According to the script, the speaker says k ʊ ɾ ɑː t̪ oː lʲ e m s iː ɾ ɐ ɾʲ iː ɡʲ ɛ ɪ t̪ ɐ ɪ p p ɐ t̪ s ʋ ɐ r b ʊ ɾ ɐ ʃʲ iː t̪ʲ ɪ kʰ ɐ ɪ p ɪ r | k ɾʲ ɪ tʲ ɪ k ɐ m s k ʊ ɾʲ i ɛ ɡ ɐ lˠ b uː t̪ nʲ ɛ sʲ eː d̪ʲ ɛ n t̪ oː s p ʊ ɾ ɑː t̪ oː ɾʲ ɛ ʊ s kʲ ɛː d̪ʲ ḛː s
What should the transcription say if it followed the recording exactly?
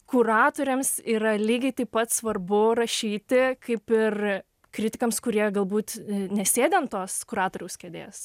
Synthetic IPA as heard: k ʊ ɾ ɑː t̪ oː ɾʲ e m s iː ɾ ɐ lʲ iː ɡʲ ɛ ɪ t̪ ɐ ɪ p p ɐ t̪ s ʋ ɐ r b ʊ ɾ ɐ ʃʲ iː t̪ʲ ɪ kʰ ɐ ɪ p ɪ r | k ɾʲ ɪ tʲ ɪ k ɐ m s k ʊ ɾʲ i ɛ ɡ ɐ lˠ b uː t̪ nʲ ɛ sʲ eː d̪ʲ ɛ n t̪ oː s k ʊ ɾ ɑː t̪ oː ɾʲ ɛ ʊ s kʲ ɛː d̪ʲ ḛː s